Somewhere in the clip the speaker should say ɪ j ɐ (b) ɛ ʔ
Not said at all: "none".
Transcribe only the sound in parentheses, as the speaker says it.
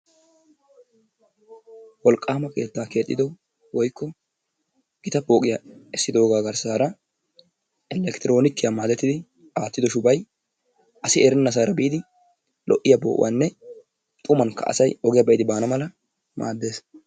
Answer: b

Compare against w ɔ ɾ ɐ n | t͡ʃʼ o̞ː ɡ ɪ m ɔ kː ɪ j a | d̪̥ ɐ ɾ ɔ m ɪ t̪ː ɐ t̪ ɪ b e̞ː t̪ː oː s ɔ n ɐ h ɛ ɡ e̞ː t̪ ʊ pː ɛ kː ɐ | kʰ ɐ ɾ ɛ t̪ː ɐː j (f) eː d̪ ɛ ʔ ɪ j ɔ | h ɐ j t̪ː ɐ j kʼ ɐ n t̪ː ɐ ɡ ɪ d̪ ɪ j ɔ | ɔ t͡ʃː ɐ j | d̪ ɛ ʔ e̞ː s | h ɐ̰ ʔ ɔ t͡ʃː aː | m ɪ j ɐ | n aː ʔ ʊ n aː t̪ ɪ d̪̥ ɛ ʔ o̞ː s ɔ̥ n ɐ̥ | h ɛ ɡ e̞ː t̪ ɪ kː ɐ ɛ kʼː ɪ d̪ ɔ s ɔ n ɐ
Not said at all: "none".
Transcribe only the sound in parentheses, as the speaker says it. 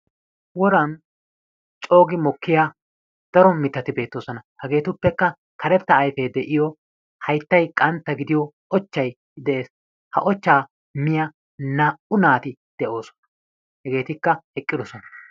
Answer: f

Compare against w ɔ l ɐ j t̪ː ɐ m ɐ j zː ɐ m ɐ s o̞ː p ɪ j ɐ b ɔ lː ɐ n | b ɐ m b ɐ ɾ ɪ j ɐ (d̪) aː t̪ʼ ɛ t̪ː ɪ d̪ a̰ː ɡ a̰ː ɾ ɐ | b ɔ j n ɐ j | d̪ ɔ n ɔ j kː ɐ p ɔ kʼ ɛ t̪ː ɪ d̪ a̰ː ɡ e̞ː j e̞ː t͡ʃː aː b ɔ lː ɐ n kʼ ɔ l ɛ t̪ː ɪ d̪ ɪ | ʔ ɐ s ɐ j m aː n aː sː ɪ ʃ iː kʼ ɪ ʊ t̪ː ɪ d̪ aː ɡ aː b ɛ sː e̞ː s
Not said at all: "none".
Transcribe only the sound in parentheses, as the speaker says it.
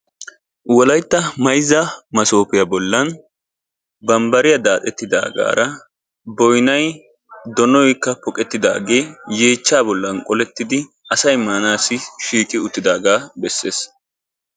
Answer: d̪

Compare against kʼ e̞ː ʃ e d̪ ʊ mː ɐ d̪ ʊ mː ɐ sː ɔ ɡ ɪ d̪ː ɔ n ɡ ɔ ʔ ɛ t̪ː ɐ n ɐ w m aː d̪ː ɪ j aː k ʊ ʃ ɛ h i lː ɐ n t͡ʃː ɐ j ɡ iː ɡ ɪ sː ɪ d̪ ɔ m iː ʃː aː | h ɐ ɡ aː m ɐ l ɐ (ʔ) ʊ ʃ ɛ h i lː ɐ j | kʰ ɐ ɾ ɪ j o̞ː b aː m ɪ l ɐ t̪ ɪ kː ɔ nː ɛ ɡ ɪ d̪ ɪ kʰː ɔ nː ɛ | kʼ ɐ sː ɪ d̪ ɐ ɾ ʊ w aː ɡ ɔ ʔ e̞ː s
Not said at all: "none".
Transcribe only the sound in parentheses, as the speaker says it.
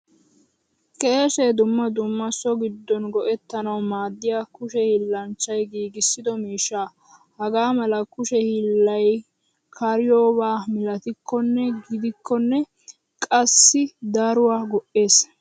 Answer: k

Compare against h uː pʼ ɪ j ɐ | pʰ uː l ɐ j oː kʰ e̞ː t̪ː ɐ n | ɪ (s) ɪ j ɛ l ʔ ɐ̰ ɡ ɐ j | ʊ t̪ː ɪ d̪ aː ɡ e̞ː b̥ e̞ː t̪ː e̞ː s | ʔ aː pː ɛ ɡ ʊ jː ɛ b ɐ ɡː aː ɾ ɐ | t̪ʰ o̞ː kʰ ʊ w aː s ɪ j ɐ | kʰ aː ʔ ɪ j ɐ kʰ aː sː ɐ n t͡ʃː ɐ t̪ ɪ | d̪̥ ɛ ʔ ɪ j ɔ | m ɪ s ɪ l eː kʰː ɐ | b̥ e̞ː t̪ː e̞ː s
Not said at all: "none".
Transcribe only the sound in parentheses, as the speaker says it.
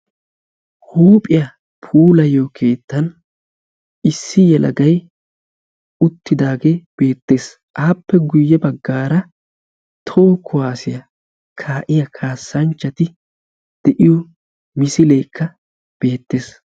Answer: sː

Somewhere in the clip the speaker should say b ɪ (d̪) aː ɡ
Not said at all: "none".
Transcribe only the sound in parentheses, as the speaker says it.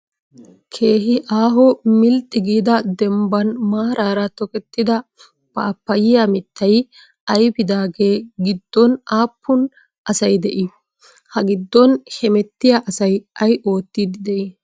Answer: d̪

